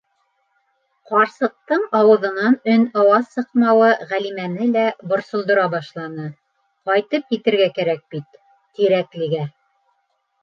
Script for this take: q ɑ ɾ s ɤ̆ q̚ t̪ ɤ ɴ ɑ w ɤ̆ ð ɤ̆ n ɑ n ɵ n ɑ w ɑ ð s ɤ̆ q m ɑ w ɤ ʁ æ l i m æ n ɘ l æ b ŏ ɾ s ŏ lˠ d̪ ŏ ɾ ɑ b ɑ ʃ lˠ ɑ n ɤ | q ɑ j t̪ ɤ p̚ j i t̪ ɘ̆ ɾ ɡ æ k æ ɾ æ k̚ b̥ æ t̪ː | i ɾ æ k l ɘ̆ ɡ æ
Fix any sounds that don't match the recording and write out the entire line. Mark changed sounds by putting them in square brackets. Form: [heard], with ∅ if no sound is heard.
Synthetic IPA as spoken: q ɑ ɾ s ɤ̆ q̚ t̪ ɤ ɴ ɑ w ɤ̆ ð ɤ̆ n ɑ n ɵ n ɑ w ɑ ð s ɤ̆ q m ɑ w ɤ ʁ æ l i m æ n ɘ l æ b ŏ ɾ s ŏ lˠ d̪ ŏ ɾ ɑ b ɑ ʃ lˠ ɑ n ɤ | q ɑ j t̪ ɤ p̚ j i t̪ ɘ̆ ɾ ɡ æ k æ ɾ æ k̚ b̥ [i] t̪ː | i ɾ æ k l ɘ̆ ɡ æ